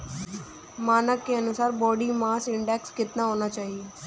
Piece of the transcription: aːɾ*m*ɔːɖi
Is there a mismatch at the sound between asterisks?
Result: yes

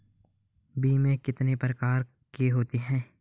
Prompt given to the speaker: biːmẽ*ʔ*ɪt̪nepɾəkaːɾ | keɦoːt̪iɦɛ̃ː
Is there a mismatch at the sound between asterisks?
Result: yes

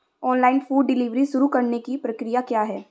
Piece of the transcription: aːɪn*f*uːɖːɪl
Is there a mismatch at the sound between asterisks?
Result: no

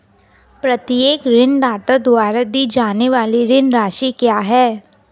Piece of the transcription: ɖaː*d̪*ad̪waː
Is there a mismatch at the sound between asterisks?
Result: yes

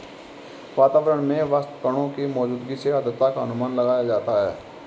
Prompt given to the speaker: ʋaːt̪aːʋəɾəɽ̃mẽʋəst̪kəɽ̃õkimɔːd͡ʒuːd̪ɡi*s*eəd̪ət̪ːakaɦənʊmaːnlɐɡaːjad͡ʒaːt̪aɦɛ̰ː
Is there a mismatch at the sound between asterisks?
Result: no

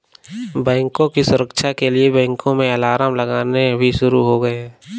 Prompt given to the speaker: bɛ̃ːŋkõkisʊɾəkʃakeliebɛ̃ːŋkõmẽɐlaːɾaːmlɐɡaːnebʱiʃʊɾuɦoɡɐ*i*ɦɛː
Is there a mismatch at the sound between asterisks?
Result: yes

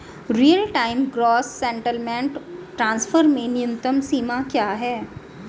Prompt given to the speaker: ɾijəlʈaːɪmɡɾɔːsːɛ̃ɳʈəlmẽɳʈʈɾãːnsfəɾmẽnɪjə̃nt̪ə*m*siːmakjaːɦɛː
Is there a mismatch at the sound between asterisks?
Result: no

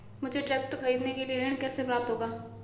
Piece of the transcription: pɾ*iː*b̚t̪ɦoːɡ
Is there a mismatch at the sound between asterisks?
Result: yes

